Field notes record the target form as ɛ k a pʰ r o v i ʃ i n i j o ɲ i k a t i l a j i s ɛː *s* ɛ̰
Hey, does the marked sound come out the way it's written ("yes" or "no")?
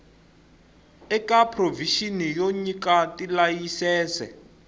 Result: yes